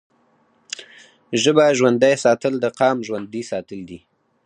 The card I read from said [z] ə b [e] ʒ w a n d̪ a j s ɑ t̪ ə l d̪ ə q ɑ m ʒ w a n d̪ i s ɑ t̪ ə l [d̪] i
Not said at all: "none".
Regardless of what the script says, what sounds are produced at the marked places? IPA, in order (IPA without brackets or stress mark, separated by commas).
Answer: ʒ, a, d̪